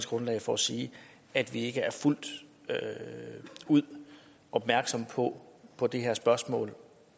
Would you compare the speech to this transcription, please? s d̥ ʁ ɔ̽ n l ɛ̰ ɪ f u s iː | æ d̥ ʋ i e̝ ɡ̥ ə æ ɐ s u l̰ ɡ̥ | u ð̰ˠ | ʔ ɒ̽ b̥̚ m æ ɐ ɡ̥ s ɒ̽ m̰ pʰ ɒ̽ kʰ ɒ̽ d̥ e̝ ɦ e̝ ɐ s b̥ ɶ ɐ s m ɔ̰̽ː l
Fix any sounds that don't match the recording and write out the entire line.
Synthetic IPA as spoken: s ɡ̥ ʁ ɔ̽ n l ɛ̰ ɪ f ɒ s iː | æ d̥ ʋ i e̝ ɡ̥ ə æ ɐ f u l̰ d̥ | u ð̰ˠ | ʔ ɒ̽ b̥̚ m æ ɐ ɡ̥ s ɒ̽ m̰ pʰ ɒ̽ pʰ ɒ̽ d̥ e̝ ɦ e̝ ɐ s b̥ ɶ ɐ s m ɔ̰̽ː l

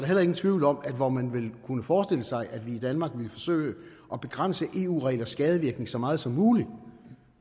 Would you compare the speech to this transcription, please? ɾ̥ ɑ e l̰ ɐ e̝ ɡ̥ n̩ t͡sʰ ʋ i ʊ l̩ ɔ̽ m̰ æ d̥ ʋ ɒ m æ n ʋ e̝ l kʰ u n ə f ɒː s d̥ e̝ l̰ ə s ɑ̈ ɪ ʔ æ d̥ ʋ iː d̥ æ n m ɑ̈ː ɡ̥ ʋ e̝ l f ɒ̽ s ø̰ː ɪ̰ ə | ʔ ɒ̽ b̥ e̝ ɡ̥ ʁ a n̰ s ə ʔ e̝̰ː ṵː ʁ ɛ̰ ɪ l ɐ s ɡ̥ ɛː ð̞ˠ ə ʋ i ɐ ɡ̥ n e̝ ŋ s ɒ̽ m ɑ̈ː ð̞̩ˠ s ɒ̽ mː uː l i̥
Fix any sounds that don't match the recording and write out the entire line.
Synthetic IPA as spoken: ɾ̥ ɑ e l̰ ɐ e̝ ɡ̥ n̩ t͡sʰ ʋ i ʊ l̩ ɒ̽ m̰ æ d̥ ʋ ɒ m æ n ʋ e̝ l kʰ u n ə f ɒː s d̥ e̝ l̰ ə s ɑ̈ ɪ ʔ æ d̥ ʋ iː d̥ æ n m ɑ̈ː ɡ̥ ʋ e̝ l f ɒ̽ s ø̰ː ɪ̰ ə | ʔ ɒ̽ b̥ e̝ ɡ̥ ʁ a n̰ s ə ʔ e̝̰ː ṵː ʁ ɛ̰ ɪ l ɐ s ɡ̥ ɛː ð̞ˠ ə ʋ i ɐ ɡ̥ n e̝ ŋ s ɒ̽ m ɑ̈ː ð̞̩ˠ s ɒ̽ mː uː l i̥

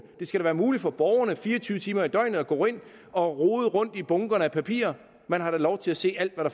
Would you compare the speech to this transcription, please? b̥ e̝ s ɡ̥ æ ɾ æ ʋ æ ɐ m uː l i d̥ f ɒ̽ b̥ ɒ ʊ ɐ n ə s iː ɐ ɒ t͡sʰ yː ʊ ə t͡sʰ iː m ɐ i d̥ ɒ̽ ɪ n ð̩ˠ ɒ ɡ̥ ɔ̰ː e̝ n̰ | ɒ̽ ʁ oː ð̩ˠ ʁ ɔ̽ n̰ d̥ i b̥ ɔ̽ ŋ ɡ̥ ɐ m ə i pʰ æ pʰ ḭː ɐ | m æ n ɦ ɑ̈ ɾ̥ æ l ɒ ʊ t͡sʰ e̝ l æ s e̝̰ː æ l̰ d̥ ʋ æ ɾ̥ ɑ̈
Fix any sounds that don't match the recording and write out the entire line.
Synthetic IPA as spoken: d̥ e̝ s ɡ̥ æ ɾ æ ʋ æː ɐ m uː l i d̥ f ɒ̽ b̥ ɒ ʊ ɐ n ə f iː ɐ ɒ t͡sʰ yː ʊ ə t͡sʰ iː m ɐ i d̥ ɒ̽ ɪ n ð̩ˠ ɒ ɡ̥ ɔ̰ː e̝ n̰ | ɒ̽ ʁ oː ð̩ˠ ʁ ɔ̽ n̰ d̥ i b̥ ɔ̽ ŋ ɡ̥ ɐ n ə æ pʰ æ pʰ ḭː ɐ | m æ n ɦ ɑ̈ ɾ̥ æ l ɒ ʊ t͡sʰ e̝ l æ s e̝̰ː æ l̰ d̥ ʋ æ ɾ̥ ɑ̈

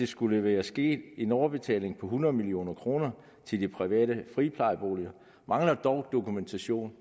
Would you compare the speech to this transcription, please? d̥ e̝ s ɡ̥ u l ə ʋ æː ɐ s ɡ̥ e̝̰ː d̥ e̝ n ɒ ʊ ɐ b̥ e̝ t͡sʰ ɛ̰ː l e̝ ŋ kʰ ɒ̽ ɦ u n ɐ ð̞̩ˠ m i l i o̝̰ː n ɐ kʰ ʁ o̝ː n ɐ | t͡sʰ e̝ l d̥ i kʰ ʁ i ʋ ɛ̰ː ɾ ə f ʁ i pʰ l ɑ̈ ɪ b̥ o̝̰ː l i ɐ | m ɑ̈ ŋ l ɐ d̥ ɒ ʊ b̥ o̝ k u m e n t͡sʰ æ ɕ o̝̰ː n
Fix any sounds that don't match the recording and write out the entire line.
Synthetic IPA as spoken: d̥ e̝ s ɡ̥ u l ə ʋ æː ɐ s ɡ̥ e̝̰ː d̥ e̝ n ɒ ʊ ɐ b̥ e̝ t͡sʰ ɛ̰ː l e̝ ŋ pʰ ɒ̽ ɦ u n ɐ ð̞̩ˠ m i l i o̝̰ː n ɐ kʰ ʁ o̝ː n ɐ | t͡sʰ e̝ l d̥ i pʰ ʁ i ʋ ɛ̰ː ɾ ə f ʁ i pʰ l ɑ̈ ɪ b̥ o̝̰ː l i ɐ | m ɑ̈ ŋ l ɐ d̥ ɒ ʊ d̥ o̝ k u m e n t͡sʰ æ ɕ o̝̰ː n

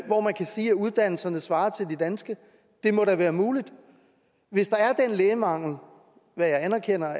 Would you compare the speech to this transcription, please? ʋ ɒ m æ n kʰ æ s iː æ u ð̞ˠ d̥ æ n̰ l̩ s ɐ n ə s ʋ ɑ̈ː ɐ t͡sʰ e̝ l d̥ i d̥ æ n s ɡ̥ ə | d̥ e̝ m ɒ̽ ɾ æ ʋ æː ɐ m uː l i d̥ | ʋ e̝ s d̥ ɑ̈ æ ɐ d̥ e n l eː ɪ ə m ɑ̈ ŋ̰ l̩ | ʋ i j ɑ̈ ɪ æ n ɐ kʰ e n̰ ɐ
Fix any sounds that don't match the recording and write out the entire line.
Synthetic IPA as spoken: ʋ ɒ m æ n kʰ æ s iː æ u ð̞ˠ d̥ æ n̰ l̩ s ɐ n ə s ʋ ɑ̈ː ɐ t͡sʰ e̝ l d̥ i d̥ æ n s ɡ̥ ə | d̥ e̝ m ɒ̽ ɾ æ ʋ æː ɐ m uː l i d̥ | ʋ e̝ s d̥ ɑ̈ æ ɐ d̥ e n l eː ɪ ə m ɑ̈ ŋ̰ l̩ | ʋ æ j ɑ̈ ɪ æ n ɐ kʰ e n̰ ɐ

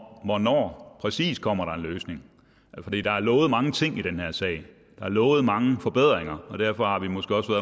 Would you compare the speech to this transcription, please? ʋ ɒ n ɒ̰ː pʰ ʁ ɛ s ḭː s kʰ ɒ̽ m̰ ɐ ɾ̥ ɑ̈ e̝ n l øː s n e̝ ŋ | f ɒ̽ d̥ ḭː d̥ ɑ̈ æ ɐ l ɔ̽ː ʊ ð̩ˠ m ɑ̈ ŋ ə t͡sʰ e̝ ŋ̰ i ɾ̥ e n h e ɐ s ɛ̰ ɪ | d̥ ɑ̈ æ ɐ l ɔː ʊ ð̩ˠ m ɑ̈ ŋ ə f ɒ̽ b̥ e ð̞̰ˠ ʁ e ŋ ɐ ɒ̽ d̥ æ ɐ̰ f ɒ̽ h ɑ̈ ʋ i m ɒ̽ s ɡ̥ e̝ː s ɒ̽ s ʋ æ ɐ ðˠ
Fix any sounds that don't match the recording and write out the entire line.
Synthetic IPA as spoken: ʋ ɒ n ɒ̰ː pʰ ʁ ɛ s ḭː s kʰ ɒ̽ m̰ ɐ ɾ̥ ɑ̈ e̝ n l øː s n e̝ ŋ | f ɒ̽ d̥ ḭː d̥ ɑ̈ æ ɐ l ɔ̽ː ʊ ð̩ˠ m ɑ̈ ŋ ə t͡sʰ e̝ ŋ̰ i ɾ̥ e n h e ɐ s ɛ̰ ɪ | d̥ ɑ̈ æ ɐ l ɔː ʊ ð̩ˠ m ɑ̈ ŋ ə f ɒ̽ b̥ e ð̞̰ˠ ʁ e ŋ ɐ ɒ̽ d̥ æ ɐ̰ f ɒ̽ h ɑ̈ ʋ i m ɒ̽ s ɡ̥ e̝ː ɒ̽ s ʋ æ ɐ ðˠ

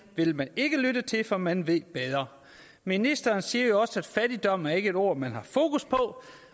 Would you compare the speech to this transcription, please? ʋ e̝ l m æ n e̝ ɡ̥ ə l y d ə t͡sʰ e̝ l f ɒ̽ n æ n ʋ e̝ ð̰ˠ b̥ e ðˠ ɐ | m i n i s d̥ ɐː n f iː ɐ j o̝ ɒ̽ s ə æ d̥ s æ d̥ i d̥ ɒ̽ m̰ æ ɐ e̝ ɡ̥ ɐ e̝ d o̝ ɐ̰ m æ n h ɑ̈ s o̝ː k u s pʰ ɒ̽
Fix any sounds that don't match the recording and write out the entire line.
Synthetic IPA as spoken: ʋ e̝ l m æ n e̝ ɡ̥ ə l y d ə t͡sʰ e̝ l f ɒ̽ m æ n ʋ e̝ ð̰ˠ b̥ e ðˠ ɐ | m i n i s d̥ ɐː n s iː ɐ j o̝ ɒ̽ s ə æ d̥ f æ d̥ i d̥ ɒ̽ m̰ æ ɐ e̝ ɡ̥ ə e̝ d o̝ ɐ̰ m æ n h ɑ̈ f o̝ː k u s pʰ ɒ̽

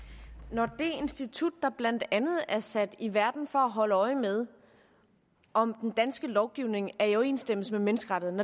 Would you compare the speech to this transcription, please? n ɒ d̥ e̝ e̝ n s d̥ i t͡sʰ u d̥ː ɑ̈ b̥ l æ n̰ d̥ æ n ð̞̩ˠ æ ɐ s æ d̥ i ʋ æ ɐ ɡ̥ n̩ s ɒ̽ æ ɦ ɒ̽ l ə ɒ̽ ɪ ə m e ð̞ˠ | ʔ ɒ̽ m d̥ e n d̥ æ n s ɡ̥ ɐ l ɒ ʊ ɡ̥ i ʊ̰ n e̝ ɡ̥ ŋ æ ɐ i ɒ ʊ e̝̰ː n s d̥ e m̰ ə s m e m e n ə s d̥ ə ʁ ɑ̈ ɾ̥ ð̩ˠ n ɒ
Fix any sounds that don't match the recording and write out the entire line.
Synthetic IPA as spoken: n ɒ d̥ e̝ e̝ n s d̥ i t͡sʰ u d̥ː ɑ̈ b̥ l æ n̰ d̥ æ n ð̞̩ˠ æ ɐ s æ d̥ i ʋ æ ɐ d̥ n̩ f ɒ̽ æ ɦ ɒ̽ l ə ɒ̽ ɪ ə m e ð̞ˠ | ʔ ɒ̽ m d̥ e n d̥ æ n s ɡ̥ ə l ɒ ʊ ɡ̥ i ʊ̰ n e̝ ŋ æ ɐ i ɒ ʊ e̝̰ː n s d̥ e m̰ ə s m e m e n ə s ɡ̥ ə ʁ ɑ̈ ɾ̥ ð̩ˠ n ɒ

